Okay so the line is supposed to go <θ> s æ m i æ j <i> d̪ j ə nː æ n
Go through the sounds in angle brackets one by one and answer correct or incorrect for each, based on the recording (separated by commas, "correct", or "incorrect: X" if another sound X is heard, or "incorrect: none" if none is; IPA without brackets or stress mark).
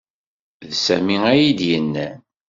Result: incorrect: ð, correct